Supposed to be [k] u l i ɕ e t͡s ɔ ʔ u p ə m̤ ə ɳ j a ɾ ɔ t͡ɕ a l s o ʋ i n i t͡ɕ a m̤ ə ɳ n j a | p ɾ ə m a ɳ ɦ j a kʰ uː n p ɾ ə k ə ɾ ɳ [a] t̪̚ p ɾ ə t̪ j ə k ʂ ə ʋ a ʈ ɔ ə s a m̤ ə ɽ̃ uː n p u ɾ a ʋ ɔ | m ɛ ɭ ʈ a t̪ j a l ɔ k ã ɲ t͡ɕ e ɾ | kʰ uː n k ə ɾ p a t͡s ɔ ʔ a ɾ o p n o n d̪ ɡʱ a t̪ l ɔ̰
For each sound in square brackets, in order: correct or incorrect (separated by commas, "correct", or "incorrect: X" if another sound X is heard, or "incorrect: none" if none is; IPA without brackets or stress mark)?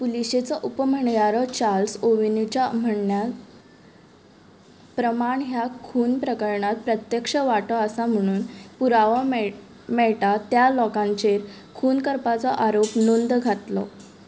incorrect: p, correct